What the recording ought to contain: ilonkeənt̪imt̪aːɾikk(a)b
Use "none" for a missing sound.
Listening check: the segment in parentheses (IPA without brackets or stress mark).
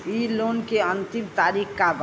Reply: a